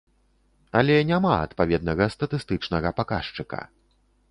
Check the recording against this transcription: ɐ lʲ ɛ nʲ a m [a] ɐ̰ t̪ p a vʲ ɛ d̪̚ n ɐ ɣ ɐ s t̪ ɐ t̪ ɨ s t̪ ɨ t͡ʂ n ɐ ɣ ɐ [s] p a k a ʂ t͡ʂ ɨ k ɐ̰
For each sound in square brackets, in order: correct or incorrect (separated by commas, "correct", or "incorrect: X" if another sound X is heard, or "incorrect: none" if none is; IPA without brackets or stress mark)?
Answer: correct, incorrect: none